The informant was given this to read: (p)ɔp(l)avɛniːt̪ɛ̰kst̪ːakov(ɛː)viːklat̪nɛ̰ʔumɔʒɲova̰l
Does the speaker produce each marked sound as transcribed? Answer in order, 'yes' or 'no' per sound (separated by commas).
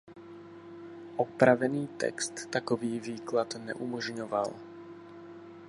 no, no, no